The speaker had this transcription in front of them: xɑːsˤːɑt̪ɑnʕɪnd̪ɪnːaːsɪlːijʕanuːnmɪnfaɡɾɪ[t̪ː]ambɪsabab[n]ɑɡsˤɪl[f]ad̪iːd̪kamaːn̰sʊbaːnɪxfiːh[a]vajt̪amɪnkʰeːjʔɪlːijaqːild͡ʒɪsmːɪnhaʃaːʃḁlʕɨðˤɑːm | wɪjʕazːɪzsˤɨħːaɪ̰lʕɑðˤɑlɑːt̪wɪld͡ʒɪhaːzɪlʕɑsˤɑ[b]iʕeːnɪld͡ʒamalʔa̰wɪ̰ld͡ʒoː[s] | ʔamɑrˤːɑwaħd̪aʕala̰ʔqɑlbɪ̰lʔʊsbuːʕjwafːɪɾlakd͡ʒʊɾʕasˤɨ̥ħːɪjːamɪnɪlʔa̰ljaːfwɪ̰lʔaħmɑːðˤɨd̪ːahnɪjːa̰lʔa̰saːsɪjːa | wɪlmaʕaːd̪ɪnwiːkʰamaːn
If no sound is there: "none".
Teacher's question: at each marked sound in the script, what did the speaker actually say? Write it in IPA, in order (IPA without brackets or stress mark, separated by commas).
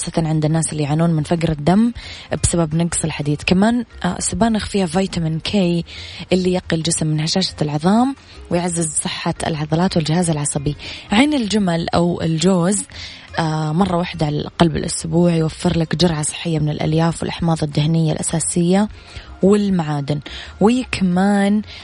d̪ː, n, ħ, a, b, z